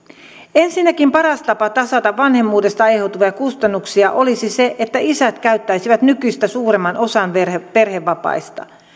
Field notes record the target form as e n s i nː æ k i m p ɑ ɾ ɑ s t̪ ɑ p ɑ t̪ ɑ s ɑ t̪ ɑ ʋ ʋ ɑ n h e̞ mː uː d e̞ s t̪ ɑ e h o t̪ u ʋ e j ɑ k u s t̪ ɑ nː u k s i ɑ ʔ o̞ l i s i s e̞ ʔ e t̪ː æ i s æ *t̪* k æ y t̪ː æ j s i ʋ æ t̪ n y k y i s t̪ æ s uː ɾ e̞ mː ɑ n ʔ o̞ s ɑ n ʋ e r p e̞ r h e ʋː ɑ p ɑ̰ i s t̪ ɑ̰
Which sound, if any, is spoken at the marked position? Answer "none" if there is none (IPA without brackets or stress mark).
t̪